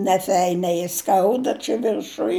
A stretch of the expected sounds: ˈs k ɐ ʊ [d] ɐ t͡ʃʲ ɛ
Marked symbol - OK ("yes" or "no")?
yes